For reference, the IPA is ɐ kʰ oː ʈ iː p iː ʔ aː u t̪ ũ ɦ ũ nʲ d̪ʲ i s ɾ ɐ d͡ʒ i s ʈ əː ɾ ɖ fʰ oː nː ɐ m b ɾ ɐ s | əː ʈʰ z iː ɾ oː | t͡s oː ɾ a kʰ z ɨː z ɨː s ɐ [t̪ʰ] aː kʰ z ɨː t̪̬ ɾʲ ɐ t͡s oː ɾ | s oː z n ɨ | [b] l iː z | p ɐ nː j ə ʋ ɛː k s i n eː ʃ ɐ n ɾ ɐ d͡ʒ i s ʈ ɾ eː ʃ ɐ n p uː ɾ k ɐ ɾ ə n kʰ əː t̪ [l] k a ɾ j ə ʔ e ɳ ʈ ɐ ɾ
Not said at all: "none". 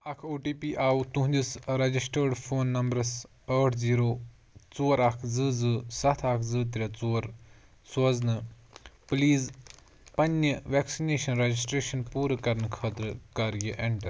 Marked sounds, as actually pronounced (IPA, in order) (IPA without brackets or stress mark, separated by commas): t̪ʰ, p, ɾ